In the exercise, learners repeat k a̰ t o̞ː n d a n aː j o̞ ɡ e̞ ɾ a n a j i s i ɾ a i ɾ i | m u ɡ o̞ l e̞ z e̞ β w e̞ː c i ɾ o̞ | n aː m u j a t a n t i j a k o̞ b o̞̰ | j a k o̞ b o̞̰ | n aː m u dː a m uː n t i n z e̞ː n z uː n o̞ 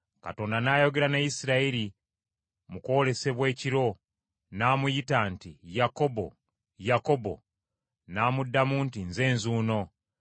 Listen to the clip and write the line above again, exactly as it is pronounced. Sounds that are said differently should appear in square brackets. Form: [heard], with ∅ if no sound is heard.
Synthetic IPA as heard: k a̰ t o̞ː n d a n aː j o̞ ɡ e̞ ɾ a n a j i s i ɾ a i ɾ i | m u [k] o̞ l e̞ [s] e̞ β w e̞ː c i ɾ o̞ | n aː m u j [i] t a n t i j a k o̞ b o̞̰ | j a k o̞ b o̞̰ | n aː m u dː a m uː n t i n z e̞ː n z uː n o̞